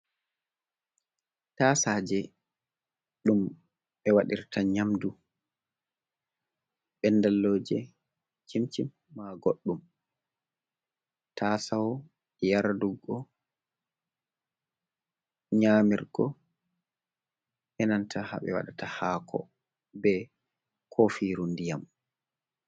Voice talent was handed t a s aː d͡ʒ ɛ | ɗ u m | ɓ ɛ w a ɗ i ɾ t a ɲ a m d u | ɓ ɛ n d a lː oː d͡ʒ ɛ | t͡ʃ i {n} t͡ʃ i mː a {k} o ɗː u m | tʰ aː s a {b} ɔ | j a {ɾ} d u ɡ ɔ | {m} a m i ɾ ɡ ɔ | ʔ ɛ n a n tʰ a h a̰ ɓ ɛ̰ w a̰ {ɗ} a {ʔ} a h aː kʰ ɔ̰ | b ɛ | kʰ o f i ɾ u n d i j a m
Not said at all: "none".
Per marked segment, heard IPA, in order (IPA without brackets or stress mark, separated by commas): m, ɡ, w, ɾ, ɲ, ɗ, t